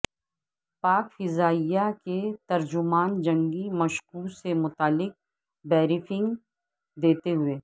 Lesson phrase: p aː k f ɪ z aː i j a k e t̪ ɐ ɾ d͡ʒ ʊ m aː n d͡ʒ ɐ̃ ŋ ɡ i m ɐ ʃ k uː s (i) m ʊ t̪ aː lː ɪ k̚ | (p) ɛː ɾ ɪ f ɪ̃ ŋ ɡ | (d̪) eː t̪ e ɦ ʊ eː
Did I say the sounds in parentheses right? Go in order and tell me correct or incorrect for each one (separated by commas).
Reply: incorrect, incorrect, correct